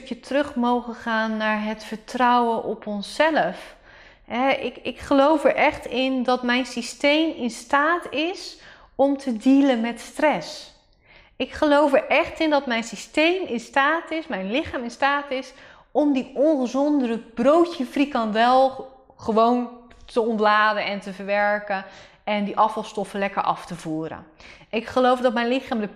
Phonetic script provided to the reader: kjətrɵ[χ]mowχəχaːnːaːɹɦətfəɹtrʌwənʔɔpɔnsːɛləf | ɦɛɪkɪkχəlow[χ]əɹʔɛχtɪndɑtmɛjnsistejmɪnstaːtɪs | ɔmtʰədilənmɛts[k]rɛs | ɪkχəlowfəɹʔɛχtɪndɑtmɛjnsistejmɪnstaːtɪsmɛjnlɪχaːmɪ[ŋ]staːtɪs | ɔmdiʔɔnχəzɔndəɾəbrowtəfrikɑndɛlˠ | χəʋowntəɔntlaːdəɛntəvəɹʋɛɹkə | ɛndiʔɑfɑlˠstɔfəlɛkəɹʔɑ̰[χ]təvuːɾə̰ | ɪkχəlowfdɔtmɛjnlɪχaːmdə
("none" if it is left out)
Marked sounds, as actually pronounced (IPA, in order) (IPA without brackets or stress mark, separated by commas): χ, f, t, n, f